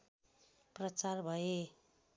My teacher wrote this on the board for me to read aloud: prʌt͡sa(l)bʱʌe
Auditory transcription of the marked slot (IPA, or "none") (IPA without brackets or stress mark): r